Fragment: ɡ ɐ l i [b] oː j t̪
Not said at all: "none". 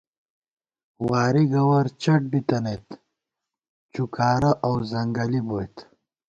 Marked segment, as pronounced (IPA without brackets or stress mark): b